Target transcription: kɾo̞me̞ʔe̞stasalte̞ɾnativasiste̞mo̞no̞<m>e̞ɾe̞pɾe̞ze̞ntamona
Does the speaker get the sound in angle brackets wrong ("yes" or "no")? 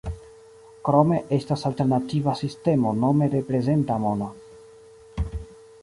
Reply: no